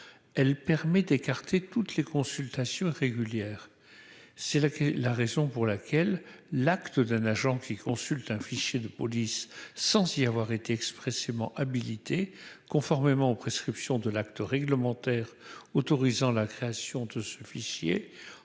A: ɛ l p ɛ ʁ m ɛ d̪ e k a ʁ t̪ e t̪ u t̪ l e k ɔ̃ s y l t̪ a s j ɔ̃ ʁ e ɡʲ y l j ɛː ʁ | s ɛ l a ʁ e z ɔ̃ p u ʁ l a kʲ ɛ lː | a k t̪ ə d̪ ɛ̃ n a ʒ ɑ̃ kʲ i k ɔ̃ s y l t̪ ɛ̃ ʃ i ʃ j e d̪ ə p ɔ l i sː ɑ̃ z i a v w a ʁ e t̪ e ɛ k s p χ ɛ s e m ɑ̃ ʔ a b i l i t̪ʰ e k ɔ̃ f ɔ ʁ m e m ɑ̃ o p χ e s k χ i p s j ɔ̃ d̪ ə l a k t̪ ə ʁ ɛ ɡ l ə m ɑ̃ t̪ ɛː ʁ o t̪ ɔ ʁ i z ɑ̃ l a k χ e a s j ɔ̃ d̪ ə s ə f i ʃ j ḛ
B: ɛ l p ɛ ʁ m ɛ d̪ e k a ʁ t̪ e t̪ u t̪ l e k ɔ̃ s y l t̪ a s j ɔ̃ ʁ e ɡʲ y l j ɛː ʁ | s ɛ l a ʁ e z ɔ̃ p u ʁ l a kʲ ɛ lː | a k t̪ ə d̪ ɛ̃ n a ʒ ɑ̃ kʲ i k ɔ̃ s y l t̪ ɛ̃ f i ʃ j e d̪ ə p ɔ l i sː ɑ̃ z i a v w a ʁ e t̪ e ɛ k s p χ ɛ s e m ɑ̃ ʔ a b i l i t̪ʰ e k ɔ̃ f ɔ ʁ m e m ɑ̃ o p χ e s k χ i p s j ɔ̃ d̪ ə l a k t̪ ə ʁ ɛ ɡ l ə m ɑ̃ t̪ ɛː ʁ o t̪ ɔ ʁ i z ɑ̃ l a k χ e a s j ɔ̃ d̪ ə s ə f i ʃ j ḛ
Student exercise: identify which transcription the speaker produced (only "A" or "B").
B